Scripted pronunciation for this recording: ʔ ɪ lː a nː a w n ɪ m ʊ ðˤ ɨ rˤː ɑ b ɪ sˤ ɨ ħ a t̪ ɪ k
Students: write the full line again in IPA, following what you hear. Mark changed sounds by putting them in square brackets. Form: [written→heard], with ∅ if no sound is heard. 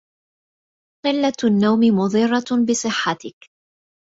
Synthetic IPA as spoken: [ʔ→q] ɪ lː a nː a w [n→m] ɪ m ʊ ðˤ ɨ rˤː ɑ b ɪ sˤ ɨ [ħ→ħː] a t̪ ɪ k